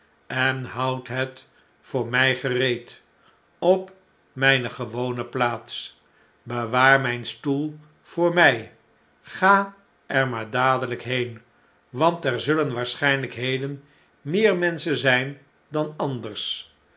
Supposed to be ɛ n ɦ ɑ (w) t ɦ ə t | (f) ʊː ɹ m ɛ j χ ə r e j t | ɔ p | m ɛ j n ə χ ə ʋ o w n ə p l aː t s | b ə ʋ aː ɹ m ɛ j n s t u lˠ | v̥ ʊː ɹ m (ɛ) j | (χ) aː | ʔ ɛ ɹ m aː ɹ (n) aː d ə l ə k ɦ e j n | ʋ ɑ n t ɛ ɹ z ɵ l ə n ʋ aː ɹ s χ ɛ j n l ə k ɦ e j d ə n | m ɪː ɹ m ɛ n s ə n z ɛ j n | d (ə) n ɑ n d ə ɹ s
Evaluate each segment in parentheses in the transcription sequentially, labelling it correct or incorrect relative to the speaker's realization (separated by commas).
correct, correct, correct, correct, incorrect, incorrect